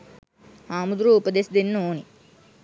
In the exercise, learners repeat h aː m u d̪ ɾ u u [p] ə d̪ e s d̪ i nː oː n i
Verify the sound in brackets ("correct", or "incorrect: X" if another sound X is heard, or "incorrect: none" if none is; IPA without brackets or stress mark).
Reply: correct